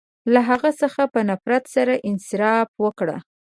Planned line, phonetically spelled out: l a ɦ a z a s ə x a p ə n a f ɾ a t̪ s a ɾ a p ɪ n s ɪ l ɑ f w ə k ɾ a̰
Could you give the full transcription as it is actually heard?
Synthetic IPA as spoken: l a ɦ a ɣ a s ə x a p ə n a f ɾ a t̪ s a ɾ a ʔ ɪ n s ɪ ɾ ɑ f w ə k ɽ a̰